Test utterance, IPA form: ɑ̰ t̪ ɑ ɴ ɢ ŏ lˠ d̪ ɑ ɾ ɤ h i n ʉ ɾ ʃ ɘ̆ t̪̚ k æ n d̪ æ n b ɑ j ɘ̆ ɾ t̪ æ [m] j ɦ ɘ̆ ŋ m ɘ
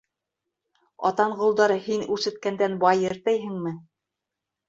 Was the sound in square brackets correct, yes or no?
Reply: no